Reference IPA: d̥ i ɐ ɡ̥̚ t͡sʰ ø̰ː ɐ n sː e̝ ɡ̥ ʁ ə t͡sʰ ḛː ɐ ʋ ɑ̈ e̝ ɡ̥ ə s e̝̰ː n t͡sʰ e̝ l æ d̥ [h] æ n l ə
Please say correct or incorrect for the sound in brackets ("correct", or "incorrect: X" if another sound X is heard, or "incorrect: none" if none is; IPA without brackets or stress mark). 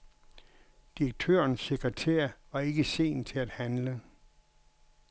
correct